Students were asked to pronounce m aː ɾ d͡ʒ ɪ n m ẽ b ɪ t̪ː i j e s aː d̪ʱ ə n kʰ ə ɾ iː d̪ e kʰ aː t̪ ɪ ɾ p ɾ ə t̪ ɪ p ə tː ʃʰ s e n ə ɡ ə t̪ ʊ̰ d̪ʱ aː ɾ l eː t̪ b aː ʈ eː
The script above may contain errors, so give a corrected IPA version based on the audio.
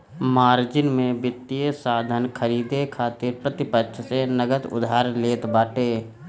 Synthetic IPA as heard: m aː ɾ d͡ʒ ɪ n m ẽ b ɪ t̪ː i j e s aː d̪ʱ ə n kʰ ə ɾ iː d̪ e kʰ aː t̪ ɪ ɾ p ɾ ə t̪ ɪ p ə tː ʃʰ s e n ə ɡ ə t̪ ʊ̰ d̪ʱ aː ɾ l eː t̪ b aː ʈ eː